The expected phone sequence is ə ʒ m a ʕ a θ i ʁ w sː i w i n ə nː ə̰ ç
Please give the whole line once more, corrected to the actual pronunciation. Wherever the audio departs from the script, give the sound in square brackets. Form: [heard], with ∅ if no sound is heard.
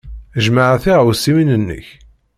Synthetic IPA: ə ʒ m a ʕ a θ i ʁ w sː i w i n ə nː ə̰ ç